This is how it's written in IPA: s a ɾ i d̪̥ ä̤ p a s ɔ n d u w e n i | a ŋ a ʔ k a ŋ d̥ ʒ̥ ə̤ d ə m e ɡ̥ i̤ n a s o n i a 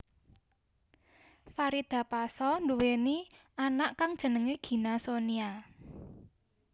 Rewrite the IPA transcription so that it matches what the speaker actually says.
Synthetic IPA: f a ɾ i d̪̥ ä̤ p a s ɔ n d u w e n i | a n a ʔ k a ŋ d̥ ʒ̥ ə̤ n ə ŋ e ɡ̥ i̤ n a s o n i a